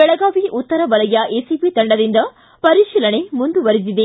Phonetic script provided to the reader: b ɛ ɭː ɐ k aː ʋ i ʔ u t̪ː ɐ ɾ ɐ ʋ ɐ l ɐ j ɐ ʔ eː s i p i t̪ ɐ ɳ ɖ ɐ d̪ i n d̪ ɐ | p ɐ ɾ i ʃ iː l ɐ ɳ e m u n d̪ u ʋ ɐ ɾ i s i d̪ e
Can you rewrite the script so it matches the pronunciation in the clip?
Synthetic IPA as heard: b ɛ ɭ ɐ ɡ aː ʋ i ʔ u t̪ː ɐ ɾ ɐ ʋ ɐ l ɐ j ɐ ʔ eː s i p i t̪ ɐ ɳ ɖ ɐ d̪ i n d̪ ɐ | p ɐ ɾ i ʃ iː l ɐ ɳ e m u n d̪ u ʋ ɐ ɾ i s i d̪ e